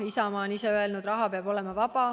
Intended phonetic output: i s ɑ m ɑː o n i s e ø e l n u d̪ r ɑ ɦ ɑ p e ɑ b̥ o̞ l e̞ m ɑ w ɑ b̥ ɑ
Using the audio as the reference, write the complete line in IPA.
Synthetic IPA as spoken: i s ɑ m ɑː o n i s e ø e l n u d̪ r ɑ ɦ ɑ p e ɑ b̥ o̞ l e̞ m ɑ v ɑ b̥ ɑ